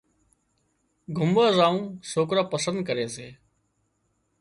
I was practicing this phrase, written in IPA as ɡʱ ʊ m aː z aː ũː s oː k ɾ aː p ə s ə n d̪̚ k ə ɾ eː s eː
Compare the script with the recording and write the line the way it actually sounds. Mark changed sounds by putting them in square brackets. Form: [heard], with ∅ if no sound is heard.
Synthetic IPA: ɡʱ ʊ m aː z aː ũː s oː k ɾ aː p ə s ə n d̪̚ k ə ɾ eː s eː